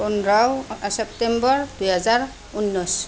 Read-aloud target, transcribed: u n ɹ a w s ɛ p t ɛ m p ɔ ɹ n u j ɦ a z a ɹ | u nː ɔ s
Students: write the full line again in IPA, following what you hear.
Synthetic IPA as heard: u n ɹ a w s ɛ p t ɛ m b ɔ ɹ d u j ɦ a z a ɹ | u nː ɔ s